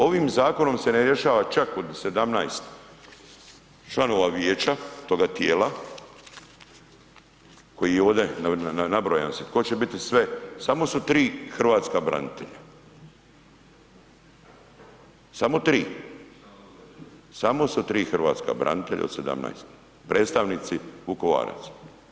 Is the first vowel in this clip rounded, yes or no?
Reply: yes